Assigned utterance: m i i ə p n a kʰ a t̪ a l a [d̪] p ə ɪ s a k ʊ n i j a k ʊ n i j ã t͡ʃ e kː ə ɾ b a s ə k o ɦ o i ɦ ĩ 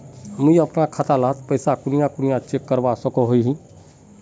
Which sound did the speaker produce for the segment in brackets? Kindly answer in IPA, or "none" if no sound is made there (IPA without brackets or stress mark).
t̪